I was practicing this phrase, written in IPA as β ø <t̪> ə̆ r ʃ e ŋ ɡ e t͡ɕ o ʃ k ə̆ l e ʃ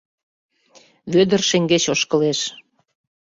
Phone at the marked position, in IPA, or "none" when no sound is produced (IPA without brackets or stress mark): d̪